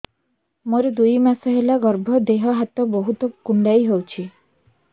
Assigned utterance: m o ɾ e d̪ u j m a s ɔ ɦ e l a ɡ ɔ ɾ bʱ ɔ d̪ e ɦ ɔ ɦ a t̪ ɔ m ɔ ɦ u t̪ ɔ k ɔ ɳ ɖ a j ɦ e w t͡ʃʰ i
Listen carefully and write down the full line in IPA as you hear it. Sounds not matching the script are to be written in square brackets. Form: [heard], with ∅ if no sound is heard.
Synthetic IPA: m o ɾ e d̪ u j m a s ɔ ɦ e l a ɡ ɔ ɾ bʱ ɔ d̪ e ɦ ɔ ɦ a t̪ ɔ [b] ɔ ɦ u t̪ ɔ k [u] ɳ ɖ a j ɦ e w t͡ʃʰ i